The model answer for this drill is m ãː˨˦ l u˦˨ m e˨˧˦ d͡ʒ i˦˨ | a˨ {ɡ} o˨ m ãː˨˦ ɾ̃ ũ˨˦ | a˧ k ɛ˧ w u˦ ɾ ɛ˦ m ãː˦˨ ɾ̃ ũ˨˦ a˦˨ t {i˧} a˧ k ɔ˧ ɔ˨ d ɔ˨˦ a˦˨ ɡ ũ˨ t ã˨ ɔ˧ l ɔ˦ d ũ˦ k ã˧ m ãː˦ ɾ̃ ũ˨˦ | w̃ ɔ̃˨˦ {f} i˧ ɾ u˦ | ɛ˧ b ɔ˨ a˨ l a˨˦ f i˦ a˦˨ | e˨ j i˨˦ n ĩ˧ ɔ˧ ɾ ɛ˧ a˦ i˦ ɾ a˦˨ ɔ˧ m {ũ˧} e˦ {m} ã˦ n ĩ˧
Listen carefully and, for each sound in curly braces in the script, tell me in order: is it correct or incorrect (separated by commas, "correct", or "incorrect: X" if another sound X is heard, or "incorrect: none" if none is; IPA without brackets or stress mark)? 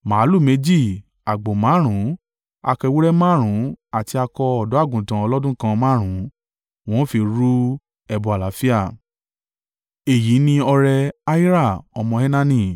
incorrect: ɡ͡b, correct, correct, incorrect: ɔ̃˧, incorrect: n